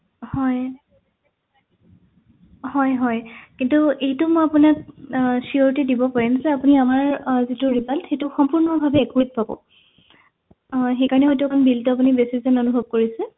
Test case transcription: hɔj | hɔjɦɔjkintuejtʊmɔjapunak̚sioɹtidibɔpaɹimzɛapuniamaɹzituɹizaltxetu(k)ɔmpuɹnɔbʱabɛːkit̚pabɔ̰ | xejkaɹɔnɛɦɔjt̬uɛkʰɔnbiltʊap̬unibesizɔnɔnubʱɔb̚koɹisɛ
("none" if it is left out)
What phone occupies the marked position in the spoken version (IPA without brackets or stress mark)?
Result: x